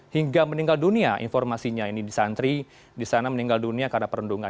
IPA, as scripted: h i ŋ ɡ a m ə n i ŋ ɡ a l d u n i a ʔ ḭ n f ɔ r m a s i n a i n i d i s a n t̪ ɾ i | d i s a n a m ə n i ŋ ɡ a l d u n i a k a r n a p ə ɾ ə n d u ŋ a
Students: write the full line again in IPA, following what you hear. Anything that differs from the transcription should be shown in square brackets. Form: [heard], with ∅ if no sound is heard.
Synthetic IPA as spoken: h i ŋ ɡ a m ə n i ŋ ɡ a l d u n i a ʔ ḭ n f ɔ r m a s i [ɲ] a i n i d i s a n t̪ ɾ i | d i s a n a m ə n i ŋ ɡ a l d u n i a k a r n a p ə ɾ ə n d u ŋ a